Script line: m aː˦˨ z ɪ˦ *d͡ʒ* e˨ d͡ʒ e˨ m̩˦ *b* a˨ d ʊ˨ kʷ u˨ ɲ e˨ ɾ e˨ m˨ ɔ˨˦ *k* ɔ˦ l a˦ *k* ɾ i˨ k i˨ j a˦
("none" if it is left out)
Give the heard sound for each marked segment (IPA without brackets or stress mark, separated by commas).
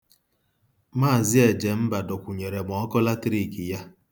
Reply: none, b, k, t